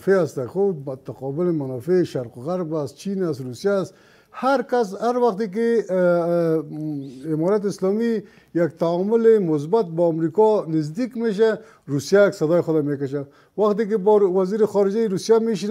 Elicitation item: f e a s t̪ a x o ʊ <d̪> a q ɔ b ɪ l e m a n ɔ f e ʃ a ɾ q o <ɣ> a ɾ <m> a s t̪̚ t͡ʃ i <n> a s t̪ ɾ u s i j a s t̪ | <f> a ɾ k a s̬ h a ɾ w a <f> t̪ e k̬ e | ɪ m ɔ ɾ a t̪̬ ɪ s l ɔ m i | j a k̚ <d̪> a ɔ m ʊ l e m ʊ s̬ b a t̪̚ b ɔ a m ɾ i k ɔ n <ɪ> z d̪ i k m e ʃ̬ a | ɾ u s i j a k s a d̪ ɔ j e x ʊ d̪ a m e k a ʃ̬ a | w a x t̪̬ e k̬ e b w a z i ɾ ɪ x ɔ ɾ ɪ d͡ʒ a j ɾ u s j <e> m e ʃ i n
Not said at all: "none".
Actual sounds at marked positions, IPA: t̪, ɣ, b, n, h, x, t̪, ɪ, a

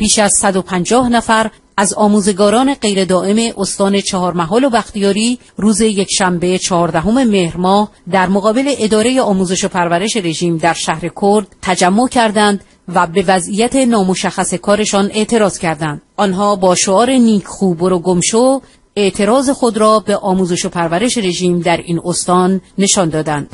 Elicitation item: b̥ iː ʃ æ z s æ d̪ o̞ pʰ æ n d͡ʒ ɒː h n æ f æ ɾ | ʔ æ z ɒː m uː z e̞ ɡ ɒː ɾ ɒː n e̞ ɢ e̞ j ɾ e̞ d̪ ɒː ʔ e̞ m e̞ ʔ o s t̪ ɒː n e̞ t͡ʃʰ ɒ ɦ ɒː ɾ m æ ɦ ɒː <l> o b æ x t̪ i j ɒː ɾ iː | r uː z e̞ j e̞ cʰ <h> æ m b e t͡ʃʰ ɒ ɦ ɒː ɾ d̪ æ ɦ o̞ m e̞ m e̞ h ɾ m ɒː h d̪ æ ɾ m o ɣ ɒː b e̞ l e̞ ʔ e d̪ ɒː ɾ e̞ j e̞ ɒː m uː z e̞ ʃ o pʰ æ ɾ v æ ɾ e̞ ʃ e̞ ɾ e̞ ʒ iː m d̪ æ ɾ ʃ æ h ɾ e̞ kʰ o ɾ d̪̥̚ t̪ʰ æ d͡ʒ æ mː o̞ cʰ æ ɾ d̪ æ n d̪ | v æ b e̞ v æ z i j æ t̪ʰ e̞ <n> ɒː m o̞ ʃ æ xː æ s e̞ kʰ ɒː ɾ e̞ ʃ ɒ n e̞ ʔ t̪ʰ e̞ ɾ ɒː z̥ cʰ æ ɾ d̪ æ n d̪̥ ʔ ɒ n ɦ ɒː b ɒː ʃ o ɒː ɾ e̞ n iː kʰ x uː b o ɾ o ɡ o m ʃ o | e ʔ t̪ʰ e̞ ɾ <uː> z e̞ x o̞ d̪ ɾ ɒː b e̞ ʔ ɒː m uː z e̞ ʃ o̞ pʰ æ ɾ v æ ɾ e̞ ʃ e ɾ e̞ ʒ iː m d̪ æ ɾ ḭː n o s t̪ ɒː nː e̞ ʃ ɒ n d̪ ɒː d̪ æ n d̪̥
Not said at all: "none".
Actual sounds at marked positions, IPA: l, ʃ, n, ɒː

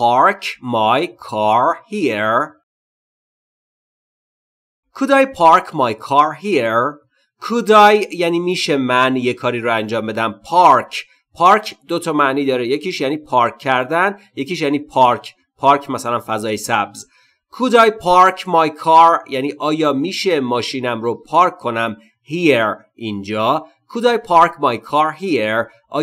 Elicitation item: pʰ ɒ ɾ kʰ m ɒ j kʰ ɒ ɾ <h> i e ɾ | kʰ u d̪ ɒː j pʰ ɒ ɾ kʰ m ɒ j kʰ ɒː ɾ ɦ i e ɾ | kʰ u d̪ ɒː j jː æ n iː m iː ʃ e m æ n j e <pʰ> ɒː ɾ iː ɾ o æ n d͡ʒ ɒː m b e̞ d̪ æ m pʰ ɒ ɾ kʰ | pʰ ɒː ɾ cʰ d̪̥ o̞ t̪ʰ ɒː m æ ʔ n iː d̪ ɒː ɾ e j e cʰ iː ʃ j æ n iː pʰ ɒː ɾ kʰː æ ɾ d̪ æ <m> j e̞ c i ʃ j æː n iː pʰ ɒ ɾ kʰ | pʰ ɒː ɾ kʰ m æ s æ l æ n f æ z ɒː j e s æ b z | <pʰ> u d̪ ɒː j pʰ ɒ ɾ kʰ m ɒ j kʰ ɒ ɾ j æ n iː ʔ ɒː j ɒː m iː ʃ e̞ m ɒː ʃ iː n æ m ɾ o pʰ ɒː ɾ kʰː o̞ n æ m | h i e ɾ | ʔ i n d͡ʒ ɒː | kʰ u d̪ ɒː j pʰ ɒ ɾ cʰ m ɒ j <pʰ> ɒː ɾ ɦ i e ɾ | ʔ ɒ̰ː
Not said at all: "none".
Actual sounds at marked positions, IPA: h, kʰ, n, kʰ, kʰ

